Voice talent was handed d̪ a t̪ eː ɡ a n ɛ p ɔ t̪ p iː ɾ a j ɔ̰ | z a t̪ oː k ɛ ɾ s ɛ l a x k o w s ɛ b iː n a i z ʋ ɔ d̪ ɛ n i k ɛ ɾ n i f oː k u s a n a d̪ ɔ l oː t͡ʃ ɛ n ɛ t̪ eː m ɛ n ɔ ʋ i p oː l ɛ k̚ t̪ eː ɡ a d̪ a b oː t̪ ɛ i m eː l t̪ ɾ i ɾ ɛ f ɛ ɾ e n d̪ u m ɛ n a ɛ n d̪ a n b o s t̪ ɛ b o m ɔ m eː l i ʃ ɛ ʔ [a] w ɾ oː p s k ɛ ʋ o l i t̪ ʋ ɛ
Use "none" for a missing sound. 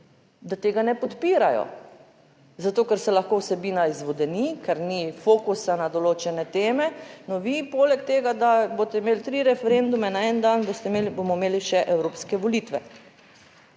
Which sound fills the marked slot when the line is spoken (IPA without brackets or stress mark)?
ɛ